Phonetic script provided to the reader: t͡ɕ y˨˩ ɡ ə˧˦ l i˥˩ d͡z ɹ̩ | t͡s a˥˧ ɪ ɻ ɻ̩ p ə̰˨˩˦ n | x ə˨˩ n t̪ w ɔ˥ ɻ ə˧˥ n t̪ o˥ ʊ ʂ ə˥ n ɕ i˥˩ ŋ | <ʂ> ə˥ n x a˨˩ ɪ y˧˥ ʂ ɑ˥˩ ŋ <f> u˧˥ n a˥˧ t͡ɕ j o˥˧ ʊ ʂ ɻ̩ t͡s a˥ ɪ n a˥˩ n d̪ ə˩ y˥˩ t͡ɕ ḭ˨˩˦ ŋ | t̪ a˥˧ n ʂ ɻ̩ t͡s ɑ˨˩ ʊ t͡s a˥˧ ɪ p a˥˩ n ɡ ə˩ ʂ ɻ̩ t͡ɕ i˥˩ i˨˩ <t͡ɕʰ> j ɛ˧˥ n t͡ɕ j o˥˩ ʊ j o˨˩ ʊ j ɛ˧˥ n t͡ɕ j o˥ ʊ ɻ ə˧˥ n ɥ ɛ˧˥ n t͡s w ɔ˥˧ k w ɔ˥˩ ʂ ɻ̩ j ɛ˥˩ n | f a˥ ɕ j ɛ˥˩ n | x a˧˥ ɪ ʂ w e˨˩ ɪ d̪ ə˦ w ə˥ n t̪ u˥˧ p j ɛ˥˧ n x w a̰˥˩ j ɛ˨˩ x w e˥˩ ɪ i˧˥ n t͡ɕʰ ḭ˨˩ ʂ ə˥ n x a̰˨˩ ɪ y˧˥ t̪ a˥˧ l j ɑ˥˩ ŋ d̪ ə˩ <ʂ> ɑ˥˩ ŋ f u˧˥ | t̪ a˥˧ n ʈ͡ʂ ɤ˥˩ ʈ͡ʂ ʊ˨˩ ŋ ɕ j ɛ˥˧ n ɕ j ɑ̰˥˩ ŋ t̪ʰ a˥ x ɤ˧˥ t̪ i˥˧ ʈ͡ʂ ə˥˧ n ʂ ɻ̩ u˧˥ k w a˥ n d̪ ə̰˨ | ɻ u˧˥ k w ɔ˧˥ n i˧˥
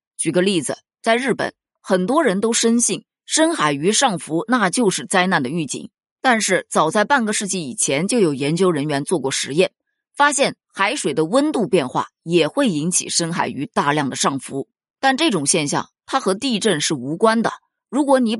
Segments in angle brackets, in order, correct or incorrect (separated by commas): correct, correct, correct, correct